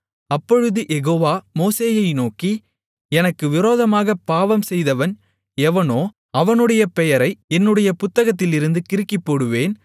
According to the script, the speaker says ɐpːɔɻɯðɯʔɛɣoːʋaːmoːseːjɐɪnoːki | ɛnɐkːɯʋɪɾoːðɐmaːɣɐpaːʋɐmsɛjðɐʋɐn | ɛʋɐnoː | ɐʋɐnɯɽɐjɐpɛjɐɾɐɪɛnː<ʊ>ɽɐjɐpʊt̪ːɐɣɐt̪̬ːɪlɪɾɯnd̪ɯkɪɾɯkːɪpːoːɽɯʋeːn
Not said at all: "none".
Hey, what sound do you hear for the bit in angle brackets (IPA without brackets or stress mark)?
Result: ɯ